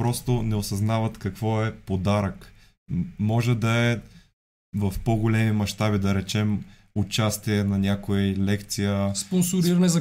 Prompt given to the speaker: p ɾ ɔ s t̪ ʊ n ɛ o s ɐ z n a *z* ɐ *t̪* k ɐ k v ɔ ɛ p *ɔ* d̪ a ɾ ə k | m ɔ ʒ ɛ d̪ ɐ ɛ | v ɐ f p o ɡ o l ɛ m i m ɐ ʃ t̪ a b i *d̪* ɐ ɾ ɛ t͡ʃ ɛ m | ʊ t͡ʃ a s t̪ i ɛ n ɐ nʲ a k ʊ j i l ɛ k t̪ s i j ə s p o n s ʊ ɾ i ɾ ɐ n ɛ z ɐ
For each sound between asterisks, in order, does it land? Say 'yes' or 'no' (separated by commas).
no, yes, no, yes